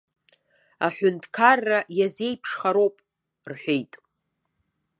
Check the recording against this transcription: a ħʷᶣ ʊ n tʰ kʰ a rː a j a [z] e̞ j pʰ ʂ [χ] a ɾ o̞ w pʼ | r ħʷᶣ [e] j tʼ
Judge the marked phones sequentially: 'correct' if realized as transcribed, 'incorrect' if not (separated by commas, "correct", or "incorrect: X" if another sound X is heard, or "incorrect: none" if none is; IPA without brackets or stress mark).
correct, correct, correct